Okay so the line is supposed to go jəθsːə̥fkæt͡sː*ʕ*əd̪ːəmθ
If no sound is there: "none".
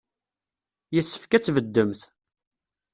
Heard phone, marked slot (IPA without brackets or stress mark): v